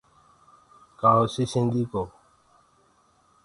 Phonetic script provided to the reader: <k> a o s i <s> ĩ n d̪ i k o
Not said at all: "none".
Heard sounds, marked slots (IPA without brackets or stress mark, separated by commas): k, s